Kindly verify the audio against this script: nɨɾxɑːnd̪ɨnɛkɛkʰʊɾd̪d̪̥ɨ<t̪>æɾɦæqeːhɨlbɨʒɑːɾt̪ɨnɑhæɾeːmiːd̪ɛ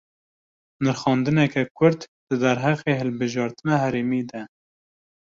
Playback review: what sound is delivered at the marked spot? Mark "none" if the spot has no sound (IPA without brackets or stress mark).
d̪